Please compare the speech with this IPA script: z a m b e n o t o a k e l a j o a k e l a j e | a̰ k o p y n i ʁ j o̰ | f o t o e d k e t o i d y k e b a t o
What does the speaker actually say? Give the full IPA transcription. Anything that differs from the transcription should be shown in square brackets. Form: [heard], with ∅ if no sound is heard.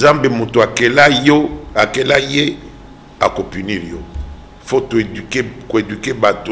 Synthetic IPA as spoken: z a m b e [m] o t o a k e l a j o a k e l a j e | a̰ k o p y n i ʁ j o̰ | f o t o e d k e [k] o [e] d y k e b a t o

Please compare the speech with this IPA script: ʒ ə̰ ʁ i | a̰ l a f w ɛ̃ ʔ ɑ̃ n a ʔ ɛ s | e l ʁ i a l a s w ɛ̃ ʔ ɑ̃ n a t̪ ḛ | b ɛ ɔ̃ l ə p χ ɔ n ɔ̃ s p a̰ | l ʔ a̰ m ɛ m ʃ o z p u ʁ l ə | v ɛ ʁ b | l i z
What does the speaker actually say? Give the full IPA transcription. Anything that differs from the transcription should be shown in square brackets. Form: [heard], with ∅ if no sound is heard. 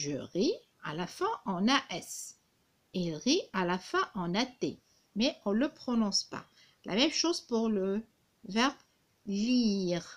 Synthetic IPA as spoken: ʒ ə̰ ʁ i | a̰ l a f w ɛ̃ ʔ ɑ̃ n a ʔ ɛ s | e l ʁ i a l a [f] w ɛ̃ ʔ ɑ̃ n a t̪ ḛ | [m] ɛ ɔ̃ l ə p χ ɔ n ɔ̃ s p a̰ | l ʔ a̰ m ɛ m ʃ o z p u ʁ l ə | v ɛ ʁ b | l i [ʁ]

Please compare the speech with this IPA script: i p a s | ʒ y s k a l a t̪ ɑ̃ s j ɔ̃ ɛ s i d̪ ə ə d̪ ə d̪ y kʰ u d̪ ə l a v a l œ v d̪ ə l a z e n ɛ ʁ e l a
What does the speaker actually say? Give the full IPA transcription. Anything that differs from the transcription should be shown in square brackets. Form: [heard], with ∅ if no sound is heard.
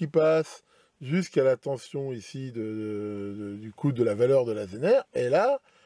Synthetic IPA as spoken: i p a s | ʒ y s k a l a t̪ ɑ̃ s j ɔ̃ [i] s i d̪ ə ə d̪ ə d̪ y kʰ u d̪ ə l a v a l œ [ʁ] d̪ ə l a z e n ɛ ʁ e l a

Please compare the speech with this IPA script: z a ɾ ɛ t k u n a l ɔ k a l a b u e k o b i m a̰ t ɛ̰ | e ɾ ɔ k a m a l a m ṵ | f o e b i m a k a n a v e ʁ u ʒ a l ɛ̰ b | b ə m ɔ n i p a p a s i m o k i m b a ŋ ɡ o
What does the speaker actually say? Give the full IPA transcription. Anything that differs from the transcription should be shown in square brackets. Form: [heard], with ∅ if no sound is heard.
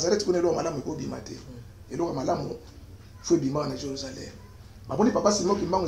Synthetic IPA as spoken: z a ɾ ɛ t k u n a l ɔ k a l a [m] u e k o b i m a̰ t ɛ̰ | e [l] ɔ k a m a l a m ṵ | f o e b i m a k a n a [ʒ] e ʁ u [z] a l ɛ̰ [m] | b [a] m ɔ n i p a p a s i m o k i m b a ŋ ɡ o

